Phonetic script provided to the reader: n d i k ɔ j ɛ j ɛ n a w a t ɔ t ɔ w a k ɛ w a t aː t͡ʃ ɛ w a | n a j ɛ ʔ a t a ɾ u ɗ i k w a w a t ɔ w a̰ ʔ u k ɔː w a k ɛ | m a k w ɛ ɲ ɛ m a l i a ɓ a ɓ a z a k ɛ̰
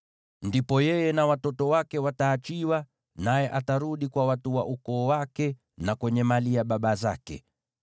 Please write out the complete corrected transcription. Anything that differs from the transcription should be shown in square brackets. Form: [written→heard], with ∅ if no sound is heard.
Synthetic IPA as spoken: n d i [k→p] ɔ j ɛ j ɛ n a w a t ɔ t ɔ w a k ɛ w a t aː t͡ʃ [ɛ→i] w a | n a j ɛ ʔ a t a ɾ u ɗ i k w a w a t [ɔ→u] w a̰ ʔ u k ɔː w a k ɛ | [m→n] a k w ɛ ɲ ɛ m a l i a ɓ a ɓ a z a k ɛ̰

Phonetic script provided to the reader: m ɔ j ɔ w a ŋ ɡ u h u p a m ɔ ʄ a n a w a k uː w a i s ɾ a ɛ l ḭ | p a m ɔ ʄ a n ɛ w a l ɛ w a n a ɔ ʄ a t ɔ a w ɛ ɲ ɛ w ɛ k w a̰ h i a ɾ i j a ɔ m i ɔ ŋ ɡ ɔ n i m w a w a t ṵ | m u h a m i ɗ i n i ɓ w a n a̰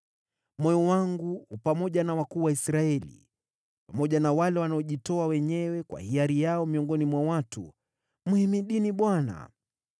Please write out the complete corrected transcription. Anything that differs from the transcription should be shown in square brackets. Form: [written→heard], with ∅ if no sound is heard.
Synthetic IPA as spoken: m ɔ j ɔ w a ŋ ɡ u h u p a m ɔ ʄ a n a w a k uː w a i s ɾ a ɛ l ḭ | p a m ɔ ʄ a n [ɛ→a] w a l ɛ w a n a ɔ ʄ [a→i] t ɔ a w ɛ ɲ ɛ w ɛ k w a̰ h i a ɾ i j a ɔ m i ɔ ŋ ɡ ɔ n i m w a w a t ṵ | m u h [a→i] m i ɗ i n i ɓ w a n a̰

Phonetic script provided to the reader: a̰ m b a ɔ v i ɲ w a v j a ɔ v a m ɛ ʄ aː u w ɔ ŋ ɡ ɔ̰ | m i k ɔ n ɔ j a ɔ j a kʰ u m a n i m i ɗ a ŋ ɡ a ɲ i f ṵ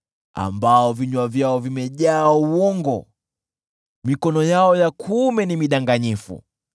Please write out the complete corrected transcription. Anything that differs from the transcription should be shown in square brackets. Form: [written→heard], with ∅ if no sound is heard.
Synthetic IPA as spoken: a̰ m b a ɔ v i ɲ w a v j a ɔ v [a→i] m ɛ ʄ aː u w ɔ ŋ ɡ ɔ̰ | m i k ɔ n ɔ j a ɔ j a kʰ u m [a→ɛ] n i m i ɗ a ŋ ɡ a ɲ i f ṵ

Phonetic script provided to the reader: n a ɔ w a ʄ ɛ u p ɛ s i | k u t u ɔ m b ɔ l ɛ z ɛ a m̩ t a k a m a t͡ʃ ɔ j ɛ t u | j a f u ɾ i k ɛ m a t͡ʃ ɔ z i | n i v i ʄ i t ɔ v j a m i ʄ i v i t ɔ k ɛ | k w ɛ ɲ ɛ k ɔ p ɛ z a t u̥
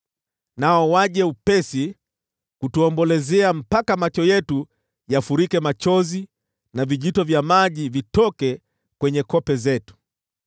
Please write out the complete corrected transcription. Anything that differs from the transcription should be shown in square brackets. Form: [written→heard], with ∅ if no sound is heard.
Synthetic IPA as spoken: n a ɔ w a ʄ ɛ u p ɛ s i | k u t u ɔ m b ɔ l ɛ z ɛ a m̩ [t→p] a k a m a t͡ʃ ɔ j ɛ t u | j a f u ɾ i k ɛ m a t͡ʃ ɔ z i | n [i→a] v i ʄ i t ɔ v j a m [i→a] ʄ i v i t ɔ k ɛ | k w ɛ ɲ ɛ k ɔ p ɛ z [a→ɛ] t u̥

